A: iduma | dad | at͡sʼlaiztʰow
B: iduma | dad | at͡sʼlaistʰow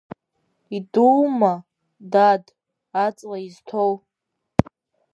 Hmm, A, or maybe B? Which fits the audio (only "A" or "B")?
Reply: A